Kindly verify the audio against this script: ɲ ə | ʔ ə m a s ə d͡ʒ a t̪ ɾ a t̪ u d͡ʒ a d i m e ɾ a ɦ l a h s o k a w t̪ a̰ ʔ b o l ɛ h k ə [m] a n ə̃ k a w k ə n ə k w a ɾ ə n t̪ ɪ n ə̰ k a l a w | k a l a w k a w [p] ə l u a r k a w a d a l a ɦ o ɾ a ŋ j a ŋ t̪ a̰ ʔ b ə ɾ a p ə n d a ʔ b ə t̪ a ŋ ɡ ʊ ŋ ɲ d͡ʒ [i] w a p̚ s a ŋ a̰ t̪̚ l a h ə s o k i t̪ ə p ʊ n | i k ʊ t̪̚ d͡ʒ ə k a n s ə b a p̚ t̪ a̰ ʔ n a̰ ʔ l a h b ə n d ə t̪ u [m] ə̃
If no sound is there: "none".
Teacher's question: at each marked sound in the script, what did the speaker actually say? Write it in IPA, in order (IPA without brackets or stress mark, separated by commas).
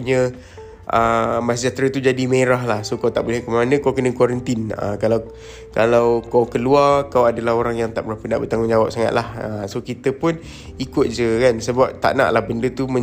m, k, a, m